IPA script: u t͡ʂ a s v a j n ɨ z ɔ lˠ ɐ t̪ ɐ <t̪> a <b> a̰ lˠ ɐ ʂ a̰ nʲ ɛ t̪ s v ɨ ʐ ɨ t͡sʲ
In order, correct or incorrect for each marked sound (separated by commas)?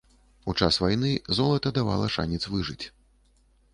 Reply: incorrect, incorrect